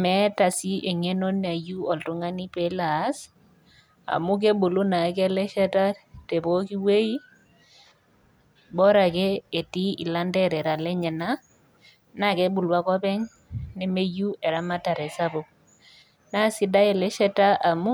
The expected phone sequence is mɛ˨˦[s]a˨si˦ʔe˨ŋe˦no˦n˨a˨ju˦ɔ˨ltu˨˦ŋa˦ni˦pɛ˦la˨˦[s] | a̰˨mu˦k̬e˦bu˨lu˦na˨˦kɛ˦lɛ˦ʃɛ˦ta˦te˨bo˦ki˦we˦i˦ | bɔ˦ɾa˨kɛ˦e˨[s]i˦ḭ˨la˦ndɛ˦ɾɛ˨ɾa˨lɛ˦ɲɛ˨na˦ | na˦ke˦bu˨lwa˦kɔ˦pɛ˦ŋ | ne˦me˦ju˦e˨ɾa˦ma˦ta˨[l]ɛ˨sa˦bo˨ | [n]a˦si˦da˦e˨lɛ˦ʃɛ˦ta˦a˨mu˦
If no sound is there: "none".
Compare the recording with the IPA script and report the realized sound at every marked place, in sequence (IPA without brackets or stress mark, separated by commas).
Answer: t, s, t, ɾ, n